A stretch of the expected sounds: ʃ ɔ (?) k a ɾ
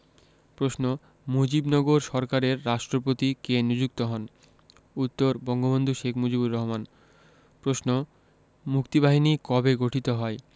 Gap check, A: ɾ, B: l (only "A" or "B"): A